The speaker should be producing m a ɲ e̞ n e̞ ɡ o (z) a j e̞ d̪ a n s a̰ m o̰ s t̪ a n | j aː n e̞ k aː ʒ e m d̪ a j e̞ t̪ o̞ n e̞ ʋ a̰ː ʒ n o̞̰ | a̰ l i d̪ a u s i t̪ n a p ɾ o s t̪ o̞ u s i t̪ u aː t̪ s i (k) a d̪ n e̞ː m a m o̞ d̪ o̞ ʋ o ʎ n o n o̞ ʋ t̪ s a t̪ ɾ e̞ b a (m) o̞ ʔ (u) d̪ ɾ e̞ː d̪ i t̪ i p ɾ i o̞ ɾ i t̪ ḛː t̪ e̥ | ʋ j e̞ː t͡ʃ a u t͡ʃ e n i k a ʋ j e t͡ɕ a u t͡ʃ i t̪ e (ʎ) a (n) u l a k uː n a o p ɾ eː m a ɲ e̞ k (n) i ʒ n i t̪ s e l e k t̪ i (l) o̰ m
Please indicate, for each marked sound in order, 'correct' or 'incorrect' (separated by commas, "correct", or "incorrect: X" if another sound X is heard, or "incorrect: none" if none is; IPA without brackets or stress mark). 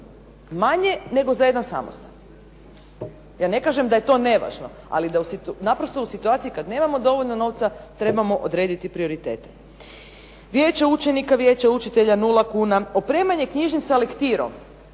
correct, correct, correct, incorrect: o, correct, correct, incorrect: ɲ, incorrect: ɾ